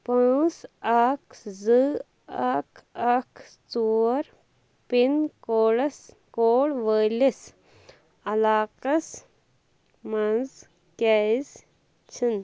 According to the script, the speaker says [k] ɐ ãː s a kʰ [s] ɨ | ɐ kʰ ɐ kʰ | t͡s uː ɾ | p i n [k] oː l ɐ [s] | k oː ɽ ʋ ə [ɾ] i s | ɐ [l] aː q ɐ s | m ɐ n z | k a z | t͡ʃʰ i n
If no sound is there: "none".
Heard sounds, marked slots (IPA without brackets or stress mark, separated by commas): p, z, k, s, l, l